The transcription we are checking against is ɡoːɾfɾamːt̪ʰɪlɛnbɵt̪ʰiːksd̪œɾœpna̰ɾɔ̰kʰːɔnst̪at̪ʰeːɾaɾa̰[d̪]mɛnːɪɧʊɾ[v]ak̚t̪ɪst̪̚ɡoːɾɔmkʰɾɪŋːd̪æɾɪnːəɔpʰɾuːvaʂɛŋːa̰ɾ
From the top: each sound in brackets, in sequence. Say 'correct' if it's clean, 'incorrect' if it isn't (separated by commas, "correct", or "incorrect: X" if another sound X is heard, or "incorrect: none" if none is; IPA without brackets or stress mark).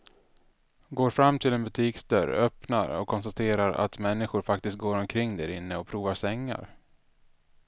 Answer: incorrect: t̪, incorrect: f